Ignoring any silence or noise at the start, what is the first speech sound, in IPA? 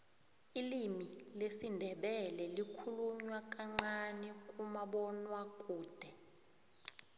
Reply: i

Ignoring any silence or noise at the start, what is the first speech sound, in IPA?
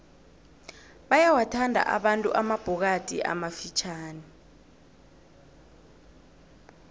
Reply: ɓ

